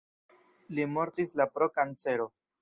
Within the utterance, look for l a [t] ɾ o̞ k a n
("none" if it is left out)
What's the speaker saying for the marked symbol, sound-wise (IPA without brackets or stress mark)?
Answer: p